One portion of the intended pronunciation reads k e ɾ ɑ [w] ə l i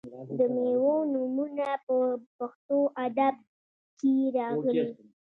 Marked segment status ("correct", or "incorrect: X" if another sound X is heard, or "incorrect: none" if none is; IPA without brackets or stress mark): incorrect: ɣ